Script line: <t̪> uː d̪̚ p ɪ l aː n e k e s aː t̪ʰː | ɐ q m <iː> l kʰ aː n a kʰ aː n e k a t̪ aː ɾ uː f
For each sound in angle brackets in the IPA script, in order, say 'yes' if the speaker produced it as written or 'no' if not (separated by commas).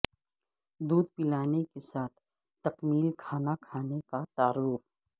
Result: no, yes